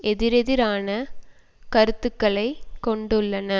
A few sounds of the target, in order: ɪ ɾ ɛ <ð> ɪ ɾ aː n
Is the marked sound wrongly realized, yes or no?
no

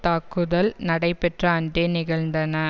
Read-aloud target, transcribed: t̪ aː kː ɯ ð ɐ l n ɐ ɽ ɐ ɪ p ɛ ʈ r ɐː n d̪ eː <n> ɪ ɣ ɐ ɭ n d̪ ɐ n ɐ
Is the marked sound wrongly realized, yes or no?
no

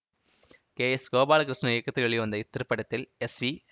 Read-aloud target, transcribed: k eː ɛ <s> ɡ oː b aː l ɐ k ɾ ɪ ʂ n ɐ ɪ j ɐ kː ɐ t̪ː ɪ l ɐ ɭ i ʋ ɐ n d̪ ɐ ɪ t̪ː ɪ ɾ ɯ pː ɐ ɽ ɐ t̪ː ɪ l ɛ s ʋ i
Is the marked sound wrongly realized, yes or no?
no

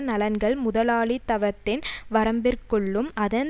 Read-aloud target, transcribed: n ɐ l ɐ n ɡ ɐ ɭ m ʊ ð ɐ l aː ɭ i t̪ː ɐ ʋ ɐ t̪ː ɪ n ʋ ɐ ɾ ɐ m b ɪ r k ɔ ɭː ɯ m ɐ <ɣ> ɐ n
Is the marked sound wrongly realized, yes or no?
yes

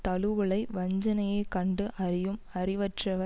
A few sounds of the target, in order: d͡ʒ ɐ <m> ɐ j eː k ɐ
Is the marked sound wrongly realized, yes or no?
yes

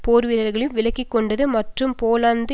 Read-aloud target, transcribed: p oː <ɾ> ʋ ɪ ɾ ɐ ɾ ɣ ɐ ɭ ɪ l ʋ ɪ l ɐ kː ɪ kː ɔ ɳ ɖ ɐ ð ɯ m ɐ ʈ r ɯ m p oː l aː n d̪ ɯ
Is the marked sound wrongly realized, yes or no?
no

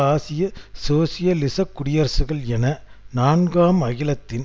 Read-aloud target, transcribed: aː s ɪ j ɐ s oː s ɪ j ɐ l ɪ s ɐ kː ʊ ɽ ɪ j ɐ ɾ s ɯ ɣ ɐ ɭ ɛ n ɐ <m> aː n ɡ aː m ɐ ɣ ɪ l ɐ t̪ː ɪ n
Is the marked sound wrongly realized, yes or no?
yes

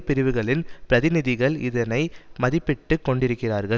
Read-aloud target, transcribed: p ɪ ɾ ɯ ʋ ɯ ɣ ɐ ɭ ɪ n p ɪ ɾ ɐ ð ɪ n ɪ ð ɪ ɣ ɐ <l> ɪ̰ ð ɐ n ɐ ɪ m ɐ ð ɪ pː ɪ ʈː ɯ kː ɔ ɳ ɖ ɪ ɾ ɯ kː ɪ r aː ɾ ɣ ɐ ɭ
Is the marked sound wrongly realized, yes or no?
yes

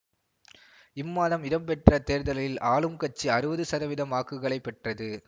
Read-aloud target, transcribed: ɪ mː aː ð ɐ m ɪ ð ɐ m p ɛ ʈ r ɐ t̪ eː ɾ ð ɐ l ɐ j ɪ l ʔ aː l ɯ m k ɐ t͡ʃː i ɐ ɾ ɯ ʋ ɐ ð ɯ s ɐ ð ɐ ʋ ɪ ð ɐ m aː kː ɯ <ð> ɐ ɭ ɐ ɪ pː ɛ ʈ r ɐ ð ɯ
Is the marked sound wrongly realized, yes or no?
yes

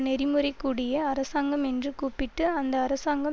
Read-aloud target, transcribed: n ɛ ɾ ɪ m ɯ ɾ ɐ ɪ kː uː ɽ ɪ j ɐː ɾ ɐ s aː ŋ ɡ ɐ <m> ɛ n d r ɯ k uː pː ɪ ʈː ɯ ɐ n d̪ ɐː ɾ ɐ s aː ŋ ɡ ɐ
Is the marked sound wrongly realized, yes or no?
no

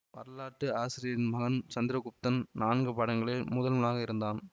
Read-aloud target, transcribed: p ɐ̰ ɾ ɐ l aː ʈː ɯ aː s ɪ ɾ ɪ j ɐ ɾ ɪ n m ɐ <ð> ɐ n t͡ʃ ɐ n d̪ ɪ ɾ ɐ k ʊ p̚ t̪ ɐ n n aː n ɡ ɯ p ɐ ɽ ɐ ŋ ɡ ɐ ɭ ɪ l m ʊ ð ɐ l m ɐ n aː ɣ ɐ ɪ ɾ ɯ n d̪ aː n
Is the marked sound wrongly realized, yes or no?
yes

